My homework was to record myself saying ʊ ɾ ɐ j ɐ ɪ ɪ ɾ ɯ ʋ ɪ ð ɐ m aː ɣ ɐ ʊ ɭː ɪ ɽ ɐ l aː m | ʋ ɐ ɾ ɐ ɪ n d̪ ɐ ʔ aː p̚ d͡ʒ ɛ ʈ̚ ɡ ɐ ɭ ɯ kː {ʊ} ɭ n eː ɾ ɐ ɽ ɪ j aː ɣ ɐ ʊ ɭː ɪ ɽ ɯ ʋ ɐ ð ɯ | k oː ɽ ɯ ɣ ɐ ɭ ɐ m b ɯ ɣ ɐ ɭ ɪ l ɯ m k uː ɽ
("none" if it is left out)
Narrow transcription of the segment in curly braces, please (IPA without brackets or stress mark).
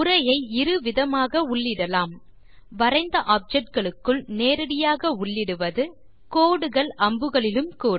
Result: ɯ